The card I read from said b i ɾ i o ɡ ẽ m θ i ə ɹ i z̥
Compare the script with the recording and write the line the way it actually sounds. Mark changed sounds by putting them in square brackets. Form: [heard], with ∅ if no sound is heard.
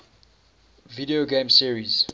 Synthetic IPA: [v] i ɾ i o ɡ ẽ m [s] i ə ɹ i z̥